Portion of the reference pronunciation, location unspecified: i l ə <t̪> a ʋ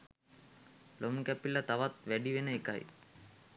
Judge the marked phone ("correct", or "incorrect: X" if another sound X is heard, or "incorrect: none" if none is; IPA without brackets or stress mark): correct